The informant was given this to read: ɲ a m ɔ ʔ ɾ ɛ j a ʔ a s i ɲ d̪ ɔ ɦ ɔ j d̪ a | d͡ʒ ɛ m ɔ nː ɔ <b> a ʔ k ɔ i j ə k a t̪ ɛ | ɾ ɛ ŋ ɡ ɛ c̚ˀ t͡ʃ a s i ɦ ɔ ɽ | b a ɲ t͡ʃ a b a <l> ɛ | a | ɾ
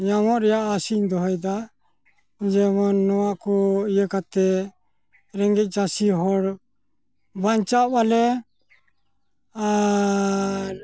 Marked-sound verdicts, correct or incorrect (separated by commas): incorrect, correct